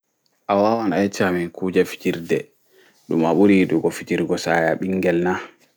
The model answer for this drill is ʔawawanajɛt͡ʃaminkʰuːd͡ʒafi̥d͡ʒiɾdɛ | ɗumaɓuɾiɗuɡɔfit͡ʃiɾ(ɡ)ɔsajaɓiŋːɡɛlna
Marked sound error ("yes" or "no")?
no